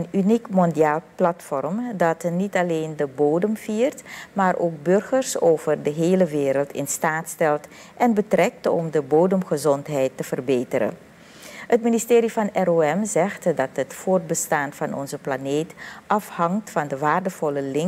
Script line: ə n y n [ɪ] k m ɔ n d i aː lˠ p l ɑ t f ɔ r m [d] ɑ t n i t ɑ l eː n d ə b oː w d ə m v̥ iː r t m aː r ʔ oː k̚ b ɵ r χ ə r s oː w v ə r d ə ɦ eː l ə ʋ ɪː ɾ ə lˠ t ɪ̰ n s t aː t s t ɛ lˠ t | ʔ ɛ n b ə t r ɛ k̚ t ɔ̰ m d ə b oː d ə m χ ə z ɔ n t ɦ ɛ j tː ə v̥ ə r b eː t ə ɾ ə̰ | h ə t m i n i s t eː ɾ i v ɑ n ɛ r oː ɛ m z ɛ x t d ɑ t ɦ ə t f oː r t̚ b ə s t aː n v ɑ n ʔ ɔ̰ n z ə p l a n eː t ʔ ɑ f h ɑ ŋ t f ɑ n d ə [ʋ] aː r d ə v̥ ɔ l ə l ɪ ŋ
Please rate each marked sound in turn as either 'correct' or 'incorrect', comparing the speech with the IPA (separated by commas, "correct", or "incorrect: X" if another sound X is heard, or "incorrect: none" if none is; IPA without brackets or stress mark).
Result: incorrect: i, correct, correct